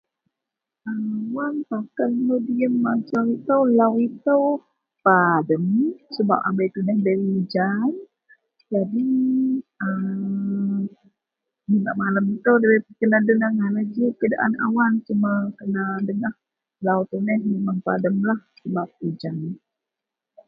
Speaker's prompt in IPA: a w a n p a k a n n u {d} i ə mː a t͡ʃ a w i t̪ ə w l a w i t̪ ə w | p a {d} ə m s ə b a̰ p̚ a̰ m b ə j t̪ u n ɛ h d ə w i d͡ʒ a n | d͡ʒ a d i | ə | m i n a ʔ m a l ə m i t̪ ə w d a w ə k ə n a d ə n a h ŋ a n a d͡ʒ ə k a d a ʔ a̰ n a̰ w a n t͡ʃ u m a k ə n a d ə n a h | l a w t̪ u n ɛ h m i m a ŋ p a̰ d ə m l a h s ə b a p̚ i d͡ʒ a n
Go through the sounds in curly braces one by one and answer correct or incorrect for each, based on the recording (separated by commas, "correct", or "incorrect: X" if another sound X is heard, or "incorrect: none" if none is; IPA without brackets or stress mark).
correct, correct